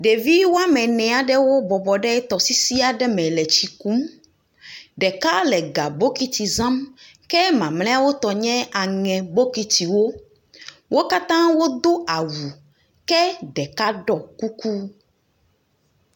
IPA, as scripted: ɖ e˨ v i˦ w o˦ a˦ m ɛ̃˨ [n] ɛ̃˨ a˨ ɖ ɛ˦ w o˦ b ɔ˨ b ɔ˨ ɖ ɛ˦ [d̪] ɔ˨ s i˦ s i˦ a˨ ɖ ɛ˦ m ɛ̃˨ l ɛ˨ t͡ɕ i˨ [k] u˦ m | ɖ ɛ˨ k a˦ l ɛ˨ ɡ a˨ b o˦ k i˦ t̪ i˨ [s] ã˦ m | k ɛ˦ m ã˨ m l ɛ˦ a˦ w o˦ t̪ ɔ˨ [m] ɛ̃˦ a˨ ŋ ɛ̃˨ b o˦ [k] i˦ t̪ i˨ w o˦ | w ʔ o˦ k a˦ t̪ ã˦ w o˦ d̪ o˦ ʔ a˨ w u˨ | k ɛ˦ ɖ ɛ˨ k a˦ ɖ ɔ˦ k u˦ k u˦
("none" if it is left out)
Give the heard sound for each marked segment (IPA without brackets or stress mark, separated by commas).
n, t̪, k, z, ɲ, k